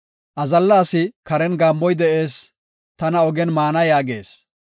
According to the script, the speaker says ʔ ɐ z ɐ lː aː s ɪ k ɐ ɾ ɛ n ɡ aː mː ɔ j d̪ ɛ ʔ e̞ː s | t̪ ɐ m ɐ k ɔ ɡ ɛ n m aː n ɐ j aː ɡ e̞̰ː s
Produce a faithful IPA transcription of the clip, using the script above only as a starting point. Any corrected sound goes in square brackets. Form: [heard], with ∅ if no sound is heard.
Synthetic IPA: ʔ ɐ z ɐ lː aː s ɪ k ɐ ɾ ɛ n ɡ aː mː ɔ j d̪ ɛ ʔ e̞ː s | t̪ ɐ [n] ɐ [∅] ɔ ɡ ɛ n m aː n ɐ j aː ɡ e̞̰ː s